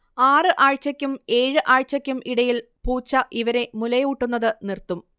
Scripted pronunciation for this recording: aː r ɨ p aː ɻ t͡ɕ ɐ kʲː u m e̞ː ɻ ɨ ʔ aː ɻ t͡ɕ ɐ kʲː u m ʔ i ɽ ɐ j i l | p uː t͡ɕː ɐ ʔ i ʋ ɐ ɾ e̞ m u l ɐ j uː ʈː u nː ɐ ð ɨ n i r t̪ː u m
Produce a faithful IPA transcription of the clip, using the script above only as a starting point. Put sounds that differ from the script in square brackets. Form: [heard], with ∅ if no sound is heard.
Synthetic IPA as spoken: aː r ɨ [ʔ] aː ɻ t͡ɕ ɐ kʲː u m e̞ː ɻ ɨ ʔ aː ɻ t͡ɕ ɐ kʲː u m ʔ i ɽ ɐ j i l | p uː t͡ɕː ɐ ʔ i ʋ ɐ ɾ e̞ m u l ɐ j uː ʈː u nː ɐ ð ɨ n i r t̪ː u m

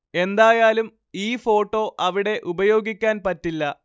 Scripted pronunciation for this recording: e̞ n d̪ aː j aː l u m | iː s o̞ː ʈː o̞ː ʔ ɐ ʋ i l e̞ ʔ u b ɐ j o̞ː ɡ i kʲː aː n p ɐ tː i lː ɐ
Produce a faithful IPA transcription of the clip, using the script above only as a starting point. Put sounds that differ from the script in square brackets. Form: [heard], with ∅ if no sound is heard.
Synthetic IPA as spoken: e̞ n d̪ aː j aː l u m | iː [f] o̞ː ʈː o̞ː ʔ ɐ ʋ i [ɽ] e̞ ʔ u b ɐ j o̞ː ɡ i kʲː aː n p ɐ tː i lː ɐ

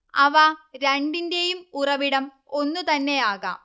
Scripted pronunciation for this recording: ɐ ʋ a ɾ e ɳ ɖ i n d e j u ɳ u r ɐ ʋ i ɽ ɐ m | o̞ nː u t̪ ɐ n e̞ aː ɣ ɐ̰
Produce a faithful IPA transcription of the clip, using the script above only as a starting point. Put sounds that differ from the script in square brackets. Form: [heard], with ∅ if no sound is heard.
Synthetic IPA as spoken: ɐ ʋ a ɾ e ɳ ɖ i n d e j u [m] u r ɐ ʋ i ɽ ɐ m | o̞ nː u t̪ ɐ [nː] e̞ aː ɣ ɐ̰

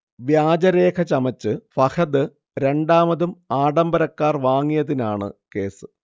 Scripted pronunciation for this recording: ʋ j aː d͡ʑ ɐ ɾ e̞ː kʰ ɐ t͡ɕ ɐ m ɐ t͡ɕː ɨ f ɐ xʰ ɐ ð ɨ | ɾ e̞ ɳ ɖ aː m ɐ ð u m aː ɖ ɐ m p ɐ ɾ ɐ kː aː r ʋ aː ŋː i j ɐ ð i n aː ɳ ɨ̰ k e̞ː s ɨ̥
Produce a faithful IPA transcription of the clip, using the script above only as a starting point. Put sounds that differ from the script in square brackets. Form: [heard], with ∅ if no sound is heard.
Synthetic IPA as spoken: ʋ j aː d͡ʑ ɐ ɾ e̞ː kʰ ɐ t͡ɕ ɐ m ɐ t͡ɕː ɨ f ɐ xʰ ɐ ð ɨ | ɾ e̞ ɳ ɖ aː m ɐ ð u m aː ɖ ɐ m [b] ɐ ɾ ɐ kː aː r ʋ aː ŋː i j ɐ ð i n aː ɳ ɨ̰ k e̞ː s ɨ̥

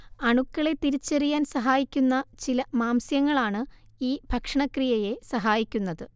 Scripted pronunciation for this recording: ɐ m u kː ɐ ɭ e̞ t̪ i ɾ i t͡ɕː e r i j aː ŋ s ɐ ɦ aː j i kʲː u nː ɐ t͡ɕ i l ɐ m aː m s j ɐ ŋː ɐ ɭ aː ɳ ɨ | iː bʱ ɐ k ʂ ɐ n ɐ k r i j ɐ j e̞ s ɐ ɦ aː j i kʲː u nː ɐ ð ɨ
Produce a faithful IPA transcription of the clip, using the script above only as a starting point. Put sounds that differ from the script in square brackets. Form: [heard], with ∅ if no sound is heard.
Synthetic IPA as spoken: ɐ [ɳ] u kː ɐ ɭ e̞ t̪ i ɾ i t͡ɕː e r i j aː [n] s ɐ ɦ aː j i kʲː u nː ɐ t͡ɕ i l ɐ m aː m s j ɐ ŋː ɐ ɭ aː ɳ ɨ | iː bʱ ɐ k ʂ ɐ [ɳ] ɐ k r i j ɐ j e̞ s ɐ ɦ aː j i kʲː u nː ɐ ð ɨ

